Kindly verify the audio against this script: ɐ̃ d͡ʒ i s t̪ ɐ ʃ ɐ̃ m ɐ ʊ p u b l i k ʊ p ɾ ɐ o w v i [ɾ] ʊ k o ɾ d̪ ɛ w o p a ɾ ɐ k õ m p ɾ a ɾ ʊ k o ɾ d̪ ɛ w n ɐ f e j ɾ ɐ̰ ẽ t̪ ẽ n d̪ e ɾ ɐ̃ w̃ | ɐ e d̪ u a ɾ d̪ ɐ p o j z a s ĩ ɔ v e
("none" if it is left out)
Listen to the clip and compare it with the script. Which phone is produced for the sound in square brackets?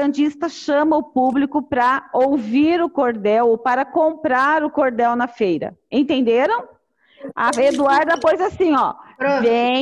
ɾ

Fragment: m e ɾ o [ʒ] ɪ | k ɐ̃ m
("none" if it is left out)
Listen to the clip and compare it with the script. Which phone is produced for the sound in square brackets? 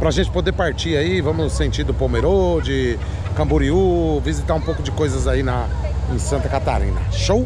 d͡ʒ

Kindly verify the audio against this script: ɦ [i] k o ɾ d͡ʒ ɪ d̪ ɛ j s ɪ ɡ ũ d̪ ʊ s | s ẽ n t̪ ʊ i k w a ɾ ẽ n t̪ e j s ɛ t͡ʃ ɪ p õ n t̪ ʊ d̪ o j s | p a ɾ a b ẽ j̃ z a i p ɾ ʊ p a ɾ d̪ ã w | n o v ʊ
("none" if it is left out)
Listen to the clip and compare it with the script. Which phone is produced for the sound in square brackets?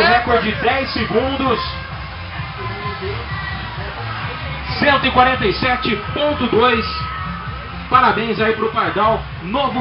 ɛ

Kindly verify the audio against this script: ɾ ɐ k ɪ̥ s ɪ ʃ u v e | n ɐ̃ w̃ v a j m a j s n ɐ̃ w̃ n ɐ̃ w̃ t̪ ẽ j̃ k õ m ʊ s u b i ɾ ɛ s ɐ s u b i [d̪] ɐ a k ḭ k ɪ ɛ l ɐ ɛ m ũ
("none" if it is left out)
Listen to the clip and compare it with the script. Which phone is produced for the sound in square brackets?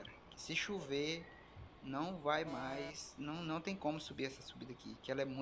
d̪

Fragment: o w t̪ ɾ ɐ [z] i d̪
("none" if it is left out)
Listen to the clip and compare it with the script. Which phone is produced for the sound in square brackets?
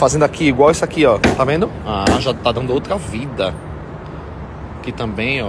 v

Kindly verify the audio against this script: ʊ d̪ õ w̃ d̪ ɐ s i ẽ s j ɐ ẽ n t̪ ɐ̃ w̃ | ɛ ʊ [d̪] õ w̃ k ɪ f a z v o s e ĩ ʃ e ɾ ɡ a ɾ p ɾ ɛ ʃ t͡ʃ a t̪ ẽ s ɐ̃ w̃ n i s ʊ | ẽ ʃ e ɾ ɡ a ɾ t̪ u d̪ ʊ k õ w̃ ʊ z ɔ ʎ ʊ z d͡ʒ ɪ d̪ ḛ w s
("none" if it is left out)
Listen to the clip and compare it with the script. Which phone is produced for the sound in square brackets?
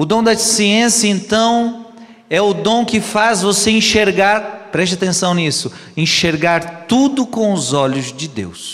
d̪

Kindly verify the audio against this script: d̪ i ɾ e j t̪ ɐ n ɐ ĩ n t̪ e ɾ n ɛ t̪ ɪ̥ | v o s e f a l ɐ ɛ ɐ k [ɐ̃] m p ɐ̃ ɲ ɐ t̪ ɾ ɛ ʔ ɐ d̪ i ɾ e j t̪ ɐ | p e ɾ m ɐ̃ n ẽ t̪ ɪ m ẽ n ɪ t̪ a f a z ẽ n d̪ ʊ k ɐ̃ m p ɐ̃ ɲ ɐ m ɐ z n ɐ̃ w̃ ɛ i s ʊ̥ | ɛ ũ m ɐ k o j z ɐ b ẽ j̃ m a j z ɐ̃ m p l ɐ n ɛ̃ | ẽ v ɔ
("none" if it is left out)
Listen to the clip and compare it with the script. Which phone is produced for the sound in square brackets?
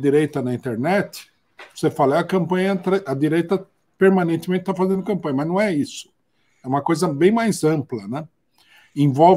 ɐ̃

